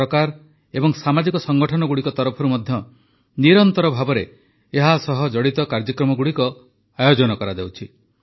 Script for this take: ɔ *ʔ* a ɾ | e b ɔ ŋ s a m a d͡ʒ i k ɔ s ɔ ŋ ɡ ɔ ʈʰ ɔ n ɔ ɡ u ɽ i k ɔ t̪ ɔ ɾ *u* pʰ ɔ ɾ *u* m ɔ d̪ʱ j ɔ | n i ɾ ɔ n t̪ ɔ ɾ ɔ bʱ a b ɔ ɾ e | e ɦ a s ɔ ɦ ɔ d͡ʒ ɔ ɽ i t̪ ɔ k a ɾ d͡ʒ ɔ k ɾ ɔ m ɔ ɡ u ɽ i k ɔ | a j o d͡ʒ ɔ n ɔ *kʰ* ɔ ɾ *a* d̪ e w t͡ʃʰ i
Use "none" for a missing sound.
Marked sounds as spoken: k, ɔ, u, k, a

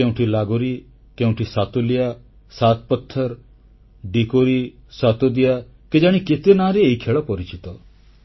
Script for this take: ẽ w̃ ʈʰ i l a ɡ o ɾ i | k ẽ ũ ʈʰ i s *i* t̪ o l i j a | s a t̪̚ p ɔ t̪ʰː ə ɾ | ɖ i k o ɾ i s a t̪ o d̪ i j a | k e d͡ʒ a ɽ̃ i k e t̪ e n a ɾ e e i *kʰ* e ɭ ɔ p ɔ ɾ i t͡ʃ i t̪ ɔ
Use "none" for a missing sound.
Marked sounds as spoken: a, kʰ

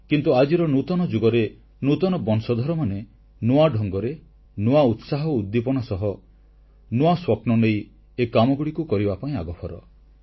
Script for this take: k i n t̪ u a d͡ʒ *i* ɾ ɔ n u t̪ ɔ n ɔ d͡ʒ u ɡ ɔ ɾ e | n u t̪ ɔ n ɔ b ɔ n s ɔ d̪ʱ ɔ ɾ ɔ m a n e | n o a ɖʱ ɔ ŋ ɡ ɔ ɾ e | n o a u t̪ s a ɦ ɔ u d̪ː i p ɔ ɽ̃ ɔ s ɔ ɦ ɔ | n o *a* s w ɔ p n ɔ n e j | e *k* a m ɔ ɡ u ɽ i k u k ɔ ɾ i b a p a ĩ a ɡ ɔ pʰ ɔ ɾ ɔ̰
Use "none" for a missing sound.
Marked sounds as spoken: i, a, k

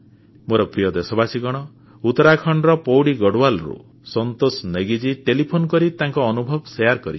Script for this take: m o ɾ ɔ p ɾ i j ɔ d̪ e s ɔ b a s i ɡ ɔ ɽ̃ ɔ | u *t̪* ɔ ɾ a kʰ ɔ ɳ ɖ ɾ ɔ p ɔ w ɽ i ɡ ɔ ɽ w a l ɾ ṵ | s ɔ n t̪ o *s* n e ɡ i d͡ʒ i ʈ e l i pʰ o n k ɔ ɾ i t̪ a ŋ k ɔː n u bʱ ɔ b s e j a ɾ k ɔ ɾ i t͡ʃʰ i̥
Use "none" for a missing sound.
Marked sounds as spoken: t̪, s

